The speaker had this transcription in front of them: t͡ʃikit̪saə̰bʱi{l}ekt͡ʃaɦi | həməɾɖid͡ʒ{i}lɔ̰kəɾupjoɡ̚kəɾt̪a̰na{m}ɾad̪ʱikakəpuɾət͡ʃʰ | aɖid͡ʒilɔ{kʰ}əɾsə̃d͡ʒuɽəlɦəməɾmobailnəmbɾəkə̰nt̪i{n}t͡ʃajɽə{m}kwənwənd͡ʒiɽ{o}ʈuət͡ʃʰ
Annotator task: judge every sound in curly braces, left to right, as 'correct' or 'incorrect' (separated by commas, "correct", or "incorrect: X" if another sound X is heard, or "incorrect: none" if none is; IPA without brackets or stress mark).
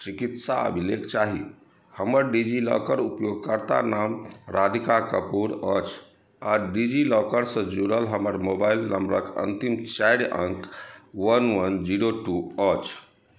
correct, correct, correct, incorrect: k, incorrect: m, incorrect: ŋ, correct